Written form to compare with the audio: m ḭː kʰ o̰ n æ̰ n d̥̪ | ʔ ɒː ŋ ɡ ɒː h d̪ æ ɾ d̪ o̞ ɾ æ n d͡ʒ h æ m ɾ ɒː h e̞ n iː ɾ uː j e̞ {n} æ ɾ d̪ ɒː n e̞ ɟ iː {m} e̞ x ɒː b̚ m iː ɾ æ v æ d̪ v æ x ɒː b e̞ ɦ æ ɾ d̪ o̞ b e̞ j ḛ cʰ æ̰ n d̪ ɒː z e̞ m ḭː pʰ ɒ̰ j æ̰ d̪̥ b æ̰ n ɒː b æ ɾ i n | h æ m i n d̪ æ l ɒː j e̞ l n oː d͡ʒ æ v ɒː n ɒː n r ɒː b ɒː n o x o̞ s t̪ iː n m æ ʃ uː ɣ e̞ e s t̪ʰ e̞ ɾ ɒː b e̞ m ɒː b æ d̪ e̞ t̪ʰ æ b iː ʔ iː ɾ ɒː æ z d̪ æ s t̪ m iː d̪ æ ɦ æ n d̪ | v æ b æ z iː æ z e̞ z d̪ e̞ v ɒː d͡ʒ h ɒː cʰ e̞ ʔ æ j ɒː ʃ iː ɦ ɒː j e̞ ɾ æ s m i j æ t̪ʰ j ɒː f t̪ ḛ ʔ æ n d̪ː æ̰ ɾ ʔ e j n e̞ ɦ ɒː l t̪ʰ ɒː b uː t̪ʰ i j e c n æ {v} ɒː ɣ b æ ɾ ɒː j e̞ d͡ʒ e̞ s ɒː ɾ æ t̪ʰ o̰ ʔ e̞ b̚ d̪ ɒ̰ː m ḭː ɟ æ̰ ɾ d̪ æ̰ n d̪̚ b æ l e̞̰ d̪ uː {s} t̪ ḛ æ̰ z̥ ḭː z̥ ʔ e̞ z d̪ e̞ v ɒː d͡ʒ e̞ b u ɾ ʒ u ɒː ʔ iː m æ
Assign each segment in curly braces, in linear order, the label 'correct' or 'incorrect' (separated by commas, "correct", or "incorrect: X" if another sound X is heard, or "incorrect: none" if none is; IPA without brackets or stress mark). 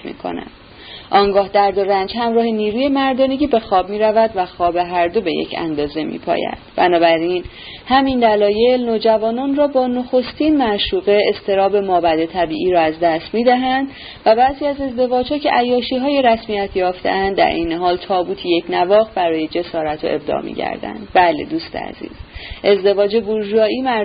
incorrect: m, incorrect: b, correct, correct